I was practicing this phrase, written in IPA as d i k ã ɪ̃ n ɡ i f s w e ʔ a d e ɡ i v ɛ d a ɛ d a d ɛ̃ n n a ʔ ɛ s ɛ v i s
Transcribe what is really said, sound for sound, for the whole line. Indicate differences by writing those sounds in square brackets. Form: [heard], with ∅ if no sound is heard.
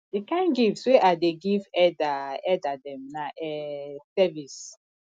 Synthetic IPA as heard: d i k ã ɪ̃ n ɡ i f s w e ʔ a d e ɡ i v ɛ d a ɛ d a d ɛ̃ [m] n a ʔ ɛ s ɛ v i s